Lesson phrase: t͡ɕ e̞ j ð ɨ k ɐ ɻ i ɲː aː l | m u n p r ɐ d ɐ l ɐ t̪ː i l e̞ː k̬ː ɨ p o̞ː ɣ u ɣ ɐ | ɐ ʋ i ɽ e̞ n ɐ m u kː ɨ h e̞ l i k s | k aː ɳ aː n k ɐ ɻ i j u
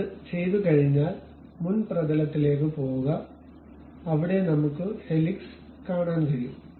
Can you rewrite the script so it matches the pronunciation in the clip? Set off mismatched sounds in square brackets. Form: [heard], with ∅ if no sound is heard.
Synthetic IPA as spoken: t͡ɕ e̞ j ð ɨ k ɐ ɻ i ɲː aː l | m u n p r ɐ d ɐ l ɐ t̪ː i l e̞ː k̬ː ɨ p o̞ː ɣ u ɣ ɐ | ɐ ʋ i ɽ e̞ n ɐ m u kː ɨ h e̞ l i k s | k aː ɳ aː n k ɐ ɻ i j u